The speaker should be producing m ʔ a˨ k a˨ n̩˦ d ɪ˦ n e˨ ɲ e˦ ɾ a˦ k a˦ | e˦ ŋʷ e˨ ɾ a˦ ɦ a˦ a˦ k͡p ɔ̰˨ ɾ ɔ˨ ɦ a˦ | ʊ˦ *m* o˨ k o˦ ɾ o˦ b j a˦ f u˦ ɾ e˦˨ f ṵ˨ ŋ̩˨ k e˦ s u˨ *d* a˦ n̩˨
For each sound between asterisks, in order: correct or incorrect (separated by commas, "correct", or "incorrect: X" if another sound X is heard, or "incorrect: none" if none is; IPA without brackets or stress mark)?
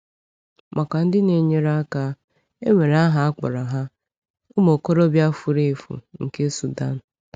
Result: correct, correct